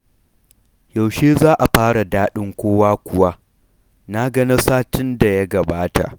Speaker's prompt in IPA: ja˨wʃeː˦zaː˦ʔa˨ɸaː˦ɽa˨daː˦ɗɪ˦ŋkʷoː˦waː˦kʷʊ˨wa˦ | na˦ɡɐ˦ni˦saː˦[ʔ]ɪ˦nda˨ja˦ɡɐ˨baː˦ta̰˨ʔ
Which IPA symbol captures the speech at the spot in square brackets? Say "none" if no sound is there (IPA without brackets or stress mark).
t